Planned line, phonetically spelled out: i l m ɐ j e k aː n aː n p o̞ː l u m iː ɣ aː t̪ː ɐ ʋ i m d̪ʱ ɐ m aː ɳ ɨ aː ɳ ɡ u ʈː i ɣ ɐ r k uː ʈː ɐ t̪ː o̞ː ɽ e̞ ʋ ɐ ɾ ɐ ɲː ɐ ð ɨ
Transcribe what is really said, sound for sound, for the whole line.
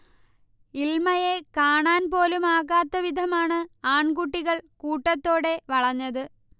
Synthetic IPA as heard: i l m ɐ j e k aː ɳ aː n p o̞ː l u m aː ɣ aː t̪ː ɐ ʋ i d̪ʱ ɐ m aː ɳ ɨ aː ɳ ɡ u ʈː i ɣ ɐ ɭ k uː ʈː ɐ t̪ː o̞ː ɽ e̞ ʋ ɐ ɭ ɐ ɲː ɐ ð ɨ